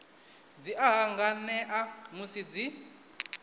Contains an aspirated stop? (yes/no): no